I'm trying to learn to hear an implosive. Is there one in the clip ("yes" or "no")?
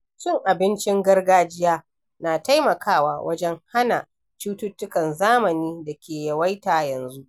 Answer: no